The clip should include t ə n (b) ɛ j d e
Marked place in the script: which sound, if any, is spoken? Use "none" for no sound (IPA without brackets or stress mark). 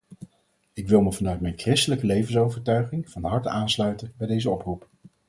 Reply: b